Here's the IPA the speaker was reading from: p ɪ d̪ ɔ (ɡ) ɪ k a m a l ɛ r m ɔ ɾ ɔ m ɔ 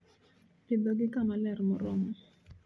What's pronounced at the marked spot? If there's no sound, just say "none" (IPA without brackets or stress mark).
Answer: ɡ